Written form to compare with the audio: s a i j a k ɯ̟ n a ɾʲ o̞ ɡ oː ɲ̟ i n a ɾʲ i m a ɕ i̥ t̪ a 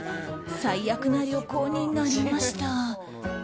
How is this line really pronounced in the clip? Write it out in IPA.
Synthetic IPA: s a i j a k ɯ̟ n a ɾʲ o̞ k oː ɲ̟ i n a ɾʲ i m a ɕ i̥ t̪ a